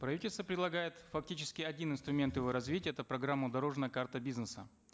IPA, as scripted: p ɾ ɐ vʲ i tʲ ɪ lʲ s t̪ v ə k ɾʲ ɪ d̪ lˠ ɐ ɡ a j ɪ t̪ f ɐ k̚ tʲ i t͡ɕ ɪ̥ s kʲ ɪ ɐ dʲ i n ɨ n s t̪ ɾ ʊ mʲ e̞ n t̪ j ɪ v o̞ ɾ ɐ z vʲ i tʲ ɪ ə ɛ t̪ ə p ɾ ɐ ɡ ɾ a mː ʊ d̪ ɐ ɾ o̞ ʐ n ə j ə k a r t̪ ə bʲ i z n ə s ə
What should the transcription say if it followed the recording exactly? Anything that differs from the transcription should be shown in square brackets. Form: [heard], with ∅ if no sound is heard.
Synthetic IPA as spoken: p ɾ ɐ vʲ i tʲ ɪ lʲ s t̪ v ə [p] ɾʲ ɪ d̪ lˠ ɐ ɡ a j ɪ t̪ f ɐ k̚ tʲ i t͡ɕ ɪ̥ s kʲ ɪ ɐ dʲ i n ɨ n s t̪ ɾ ʊ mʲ e̞ n t̪ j ɪ v o̞ ɾ ɐ z vʲ i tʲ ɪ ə ɛ t̪ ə p ɾ ɐ ɡ ɾ a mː ʊ d̪ ɐ ɾ o̞ ʐ n ə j ə k a r t̪ ə bʲ i z n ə s ə

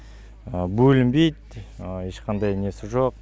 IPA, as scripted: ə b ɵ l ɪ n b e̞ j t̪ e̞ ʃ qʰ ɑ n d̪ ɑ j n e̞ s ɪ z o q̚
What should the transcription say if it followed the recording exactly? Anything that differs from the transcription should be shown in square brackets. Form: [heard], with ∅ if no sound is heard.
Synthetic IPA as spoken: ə b ɵ l ɪ [m] b e̞ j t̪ e̞ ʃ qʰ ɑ n d̪ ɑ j n e̞ s ɪ [ʒ] o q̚

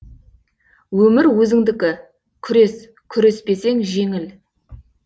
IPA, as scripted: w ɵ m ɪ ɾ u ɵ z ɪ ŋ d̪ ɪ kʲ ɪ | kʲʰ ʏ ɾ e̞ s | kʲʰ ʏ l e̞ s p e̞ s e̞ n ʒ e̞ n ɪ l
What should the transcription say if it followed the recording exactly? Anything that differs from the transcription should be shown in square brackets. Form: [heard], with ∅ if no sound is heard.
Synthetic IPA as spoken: w ɵ m ɪ ɾ [w] ɵ z ɪ ŋ d̪ ɪ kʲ ɪ | kʲʰ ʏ ɾ e̞ s | kʲʰ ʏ [ɾ] e̞ s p e̞ s e̞ [ŋ] ʒ e̞ [ŋ] ɪ l

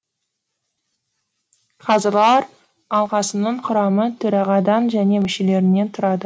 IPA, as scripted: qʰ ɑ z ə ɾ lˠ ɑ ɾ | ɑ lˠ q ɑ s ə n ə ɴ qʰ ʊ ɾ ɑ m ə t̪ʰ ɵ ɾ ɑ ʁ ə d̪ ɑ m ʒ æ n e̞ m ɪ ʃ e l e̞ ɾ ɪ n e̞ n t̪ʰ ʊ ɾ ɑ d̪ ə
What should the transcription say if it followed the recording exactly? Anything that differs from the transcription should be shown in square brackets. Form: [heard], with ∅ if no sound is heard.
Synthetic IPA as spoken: qʰ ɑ z ə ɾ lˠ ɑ ɾ | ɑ lˠ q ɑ s ə n ə ɴ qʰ ʊ ɾ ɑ m ə t̪ʰ ɵ ɾ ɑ ʁ [ɑ] d̪ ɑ [n] ʒ æ n e̞ m ɪ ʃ e l e̞ ɾ ɪ n e̞ n t̪ʰ ʊ ɾ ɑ d̪ ə

